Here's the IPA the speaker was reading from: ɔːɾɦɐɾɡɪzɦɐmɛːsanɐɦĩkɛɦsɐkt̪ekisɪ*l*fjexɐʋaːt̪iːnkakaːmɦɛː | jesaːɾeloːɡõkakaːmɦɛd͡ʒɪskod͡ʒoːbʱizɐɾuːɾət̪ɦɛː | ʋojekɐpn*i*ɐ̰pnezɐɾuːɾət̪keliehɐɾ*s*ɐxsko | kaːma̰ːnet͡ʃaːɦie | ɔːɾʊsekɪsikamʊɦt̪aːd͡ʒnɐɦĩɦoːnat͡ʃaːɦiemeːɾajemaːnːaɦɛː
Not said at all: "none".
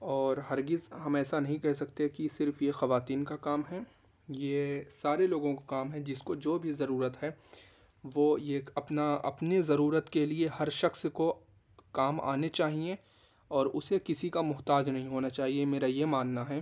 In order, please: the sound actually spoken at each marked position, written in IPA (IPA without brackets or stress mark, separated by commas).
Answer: ɾ, a, ʃ